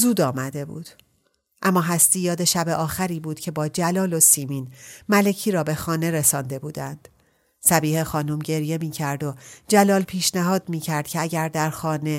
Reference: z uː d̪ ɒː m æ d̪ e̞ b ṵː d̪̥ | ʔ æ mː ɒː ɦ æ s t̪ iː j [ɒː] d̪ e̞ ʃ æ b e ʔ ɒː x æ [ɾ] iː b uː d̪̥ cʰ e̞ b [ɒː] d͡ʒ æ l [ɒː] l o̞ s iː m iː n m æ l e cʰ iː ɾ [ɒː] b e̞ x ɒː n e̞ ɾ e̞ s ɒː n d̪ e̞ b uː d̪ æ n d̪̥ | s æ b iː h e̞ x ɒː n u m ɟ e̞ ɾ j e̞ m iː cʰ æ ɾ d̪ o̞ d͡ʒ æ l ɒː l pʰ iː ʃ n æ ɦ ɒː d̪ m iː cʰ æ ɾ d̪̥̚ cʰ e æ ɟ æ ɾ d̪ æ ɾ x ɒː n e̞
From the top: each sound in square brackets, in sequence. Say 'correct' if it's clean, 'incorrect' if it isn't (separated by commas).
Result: correct, correct, correct, correct, correct